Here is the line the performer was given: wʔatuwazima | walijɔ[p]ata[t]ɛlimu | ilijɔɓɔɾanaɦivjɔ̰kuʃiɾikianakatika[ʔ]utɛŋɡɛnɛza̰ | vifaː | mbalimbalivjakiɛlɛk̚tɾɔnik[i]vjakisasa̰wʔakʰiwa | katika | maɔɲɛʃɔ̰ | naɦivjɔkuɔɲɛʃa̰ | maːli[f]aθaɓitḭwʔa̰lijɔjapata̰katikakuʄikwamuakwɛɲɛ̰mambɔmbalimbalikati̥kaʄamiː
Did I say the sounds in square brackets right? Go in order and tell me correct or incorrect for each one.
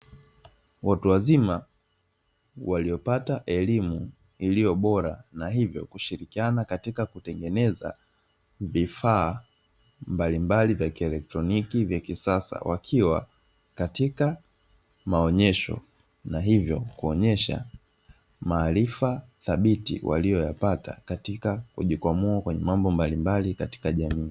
correct, incorrect: ʔ, incorrect: k, correct, correct

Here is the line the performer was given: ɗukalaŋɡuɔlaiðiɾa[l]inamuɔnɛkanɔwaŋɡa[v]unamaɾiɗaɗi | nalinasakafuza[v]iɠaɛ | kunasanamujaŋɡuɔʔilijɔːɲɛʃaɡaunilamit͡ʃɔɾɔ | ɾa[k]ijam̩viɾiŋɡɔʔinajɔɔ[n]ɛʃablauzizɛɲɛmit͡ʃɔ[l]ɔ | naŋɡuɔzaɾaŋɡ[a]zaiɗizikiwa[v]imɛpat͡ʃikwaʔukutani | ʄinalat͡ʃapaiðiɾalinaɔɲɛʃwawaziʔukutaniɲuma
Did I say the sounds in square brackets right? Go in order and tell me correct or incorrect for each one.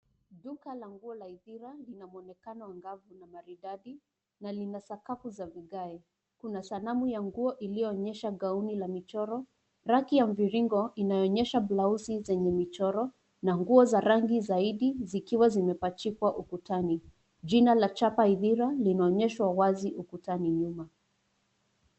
correct, correct, correct, correct, incorrect: ɲ, incorrect: ɾ, incorrect: i, incorrect: z

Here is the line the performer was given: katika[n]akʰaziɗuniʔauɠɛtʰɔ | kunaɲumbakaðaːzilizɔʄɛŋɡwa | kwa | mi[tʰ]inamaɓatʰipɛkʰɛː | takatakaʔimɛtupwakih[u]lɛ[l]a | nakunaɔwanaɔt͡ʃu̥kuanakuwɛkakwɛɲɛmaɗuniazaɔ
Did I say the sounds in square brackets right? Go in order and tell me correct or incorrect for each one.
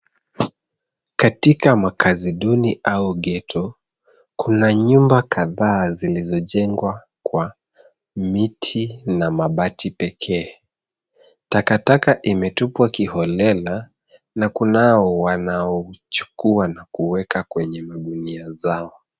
incorrect: m, correct, incorrect: ɔ, correct

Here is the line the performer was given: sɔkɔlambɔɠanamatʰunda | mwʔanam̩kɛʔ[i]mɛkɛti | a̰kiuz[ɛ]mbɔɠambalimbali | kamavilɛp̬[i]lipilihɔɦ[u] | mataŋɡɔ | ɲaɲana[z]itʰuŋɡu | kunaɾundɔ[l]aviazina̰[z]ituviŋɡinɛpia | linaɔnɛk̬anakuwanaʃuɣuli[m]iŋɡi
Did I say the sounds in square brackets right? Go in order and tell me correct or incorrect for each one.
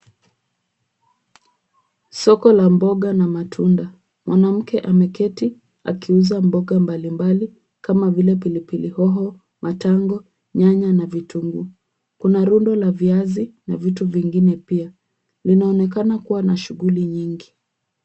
incorrect: a, incorrect: a, correct, incorrect: ɔ, incorrect: v, correct, incorrect: v, incorrect: ɲ

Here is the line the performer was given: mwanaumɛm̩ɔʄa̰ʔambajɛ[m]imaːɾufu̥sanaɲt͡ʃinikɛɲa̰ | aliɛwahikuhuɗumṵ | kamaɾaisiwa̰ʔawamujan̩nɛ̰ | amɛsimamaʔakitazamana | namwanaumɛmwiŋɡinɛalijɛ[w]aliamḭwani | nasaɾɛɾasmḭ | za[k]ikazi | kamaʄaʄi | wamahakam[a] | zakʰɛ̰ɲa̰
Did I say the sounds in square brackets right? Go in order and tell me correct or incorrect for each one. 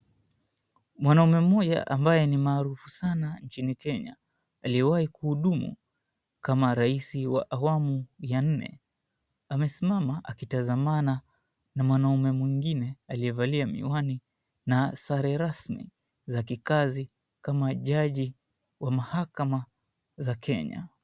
incorrect: n, incorrect: v, correct, correct

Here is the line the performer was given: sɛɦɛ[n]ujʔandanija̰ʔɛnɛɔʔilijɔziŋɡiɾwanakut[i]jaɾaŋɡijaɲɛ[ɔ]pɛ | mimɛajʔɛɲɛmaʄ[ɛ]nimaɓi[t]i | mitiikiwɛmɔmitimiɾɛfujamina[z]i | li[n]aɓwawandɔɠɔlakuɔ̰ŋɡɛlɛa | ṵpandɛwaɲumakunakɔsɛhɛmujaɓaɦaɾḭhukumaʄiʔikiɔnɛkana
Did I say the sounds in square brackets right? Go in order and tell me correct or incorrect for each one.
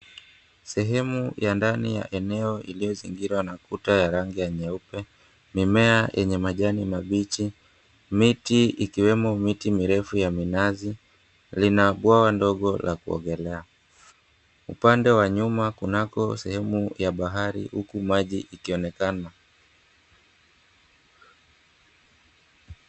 incorrect: m, incorrect: a, incorrect: u, incorrect: a, incorrect: t͡ʃ, correct, correct

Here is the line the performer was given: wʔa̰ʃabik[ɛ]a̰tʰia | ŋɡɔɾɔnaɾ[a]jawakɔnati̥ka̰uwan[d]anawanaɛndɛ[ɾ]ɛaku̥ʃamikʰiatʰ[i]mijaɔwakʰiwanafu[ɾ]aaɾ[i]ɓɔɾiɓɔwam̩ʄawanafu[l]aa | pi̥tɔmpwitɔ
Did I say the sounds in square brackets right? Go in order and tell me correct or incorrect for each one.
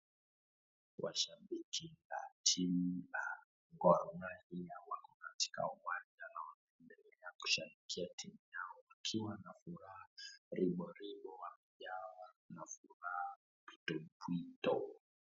incorrect: i, incorrect: i, incorrect: d͡ʒ, incorrect: l, correct, correct, correct, incorrect: ɾ

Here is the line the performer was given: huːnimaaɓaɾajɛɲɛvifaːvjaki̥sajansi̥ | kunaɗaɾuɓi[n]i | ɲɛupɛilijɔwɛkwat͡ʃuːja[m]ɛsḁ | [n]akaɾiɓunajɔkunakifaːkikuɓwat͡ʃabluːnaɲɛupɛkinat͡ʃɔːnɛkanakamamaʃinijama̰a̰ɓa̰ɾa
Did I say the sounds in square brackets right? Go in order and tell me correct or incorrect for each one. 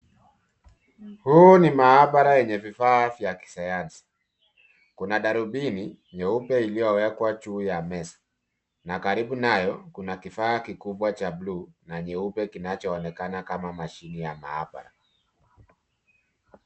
correct, correct, correct

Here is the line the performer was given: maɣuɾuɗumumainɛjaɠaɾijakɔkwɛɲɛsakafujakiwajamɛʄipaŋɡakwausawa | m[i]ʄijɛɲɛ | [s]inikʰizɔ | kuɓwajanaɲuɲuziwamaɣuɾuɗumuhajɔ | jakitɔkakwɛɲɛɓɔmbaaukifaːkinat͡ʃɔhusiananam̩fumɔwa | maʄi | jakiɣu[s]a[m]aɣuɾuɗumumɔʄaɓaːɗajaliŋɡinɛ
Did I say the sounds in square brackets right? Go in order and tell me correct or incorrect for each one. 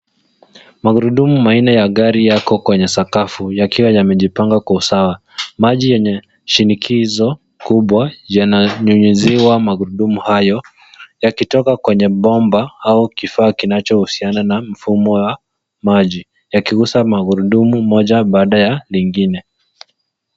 incorrect: a, incorrect: ʃ, correct, correct

